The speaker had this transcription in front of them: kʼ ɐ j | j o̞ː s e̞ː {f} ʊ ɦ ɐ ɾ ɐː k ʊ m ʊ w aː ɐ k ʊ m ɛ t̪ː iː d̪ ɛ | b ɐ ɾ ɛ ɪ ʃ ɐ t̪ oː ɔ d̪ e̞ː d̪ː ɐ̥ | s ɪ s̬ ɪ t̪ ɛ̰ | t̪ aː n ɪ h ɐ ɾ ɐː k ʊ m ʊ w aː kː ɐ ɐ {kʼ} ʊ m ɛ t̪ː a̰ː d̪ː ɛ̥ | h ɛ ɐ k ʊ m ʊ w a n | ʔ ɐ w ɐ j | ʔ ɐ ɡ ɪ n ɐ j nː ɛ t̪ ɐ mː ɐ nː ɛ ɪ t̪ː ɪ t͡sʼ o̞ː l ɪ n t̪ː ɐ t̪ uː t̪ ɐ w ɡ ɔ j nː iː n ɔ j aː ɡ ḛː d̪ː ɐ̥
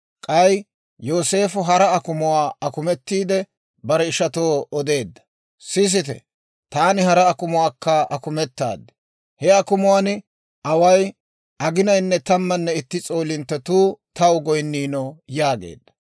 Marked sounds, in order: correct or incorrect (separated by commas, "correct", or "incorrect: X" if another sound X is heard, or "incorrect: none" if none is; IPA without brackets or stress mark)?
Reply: correct, incorrect: k